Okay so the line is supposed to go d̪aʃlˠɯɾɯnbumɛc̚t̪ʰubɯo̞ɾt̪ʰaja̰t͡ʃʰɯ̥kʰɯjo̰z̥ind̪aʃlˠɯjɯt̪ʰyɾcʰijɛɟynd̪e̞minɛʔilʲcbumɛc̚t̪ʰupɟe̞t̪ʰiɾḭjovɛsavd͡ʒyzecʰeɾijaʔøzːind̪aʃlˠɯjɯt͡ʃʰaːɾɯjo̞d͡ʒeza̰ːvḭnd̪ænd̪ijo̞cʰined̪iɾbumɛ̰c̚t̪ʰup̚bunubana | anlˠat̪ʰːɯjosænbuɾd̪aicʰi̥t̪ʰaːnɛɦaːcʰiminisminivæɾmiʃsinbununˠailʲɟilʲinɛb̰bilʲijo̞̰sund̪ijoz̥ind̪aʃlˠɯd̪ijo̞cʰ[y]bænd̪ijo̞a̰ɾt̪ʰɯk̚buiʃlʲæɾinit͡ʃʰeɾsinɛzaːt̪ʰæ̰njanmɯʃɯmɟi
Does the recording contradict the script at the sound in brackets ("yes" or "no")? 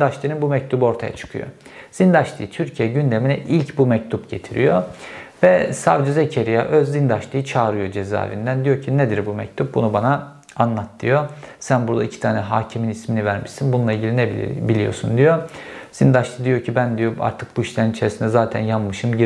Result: yes